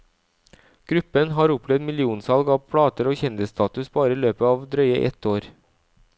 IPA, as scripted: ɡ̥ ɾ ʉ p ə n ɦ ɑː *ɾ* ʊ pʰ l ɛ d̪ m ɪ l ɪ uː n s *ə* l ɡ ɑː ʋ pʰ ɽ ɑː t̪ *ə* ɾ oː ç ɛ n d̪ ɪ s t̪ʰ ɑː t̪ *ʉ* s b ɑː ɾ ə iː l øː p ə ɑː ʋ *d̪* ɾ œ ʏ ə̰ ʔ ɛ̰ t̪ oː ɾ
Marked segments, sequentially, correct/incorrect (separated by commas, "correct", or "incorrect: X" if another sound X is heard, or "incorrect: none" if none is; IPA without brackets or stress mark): correct, incorrect: ɑ, correct, correct, correct